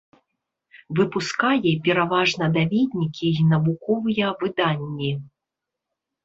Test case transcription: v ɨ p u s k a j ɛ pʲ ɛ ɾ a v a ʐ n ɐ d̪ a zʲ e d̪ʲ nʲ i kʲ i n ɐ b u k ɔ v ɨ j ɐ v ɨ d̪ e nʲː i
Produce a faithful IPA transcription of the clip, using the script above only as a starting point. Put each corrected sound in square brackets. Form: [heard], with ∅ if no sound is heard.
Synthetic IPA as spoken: v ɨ p u s k a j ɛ pʲ ɛ ɾ a v a ʐ n ɐ d̪ a [vʲ] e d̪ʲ nʲ i kʲ i n ɐ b u k ɔ v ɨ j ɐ v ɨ d̪ [a] nʲː i